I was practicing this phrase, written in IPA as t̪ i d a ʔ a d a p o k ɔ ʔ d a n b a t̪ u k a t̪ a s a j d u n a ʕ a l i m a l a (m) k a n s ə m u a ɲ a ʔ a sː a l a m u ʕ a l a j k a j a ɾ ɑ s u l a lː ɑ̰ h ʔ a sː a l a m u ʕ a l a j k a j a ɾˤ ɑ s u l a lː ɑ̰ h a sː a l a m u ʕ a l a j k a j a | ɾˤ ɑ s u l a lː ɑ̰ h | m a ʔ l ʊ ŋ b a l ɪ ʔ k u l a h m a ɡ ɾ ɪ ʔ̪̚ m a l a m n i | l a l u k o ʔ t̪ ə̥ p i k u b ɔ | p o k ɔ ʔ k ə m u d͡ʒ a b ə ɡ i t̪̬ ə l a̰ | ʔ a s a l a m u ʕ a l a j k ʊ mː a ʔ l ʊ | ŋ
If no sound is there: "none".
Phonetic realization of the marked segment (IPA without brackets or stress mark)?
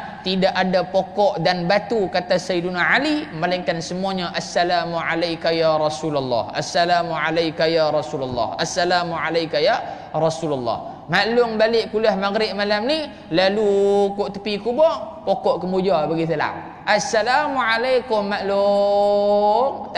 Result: ŋ